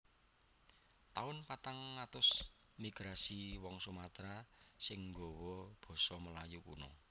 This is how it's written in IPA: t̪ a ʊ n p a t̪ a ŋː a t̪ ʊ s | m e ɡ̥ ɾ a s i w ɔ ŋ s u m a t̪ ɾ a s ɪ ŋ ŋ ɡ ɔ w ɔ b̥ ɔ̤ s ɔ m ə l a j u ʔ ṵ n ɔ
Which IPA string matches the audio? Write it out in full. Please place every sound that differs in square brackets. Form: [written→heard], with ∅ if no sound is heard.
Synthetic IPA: t̪ a ʊ n p a t̪ a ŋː a t̪ ʊ s | m [e→i] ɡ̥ ɾ a s i w ɔ ŋ s u m a t̪ ɾ a s ɪ ŋ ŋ ɡ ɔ w ɔ b̥ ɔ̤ s ɔ m ə l a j u [ʔ→k] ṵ n ɔ